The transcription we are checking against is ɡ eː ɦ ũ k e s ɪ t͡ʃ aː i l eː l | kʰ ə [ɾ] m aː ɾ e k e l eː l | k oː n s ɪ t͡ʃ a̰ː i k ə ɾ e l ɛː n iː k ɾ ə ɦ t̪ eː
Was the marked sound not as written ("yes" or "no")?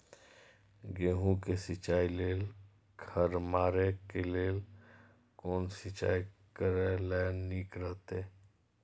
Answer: no